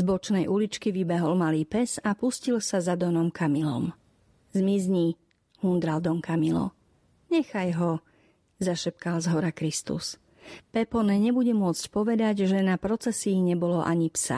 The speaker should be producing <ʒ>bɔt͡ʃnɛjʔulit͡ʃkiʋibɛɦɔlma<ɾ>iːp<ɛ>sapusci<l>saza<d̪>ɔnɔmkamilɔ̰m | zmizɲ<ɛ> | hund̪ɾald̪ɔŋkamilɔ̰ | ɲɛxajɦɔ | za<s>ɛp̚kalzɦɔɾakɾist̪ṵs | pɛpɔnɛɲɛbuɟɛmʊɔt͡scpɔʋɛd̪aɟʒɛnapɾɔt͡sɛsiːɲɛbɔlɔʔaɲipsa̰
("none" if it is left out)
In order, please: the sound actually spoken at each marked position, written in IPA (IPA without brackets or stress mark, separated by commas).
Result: z, l, ɛ, l, d̪, i, ʃ